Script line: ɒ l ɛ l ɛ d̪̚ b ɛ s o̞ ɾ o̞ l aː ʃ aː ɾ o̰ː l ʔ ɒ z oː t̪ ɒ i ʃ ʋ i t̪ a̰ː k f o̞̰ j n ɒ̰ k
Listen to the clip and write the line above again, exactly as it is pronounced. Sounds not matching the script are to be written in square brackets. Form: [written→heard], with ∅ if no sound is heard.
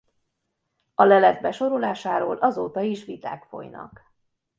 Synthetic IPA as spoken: ɒ l ɛ l ɛ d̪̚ b ɛ [s→ʃ] o̞ ɾ o̞ l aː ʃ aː ɾ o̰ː l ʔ ɒ z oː t̪ ɒ i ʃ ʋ i t̪ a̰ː k f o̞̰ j n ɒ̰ k